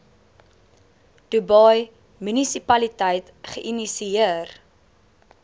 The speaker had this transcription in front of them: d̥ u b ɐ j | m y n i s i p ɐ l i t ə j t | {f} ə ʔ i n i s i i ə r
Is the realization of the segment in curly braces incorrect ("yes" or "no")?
yes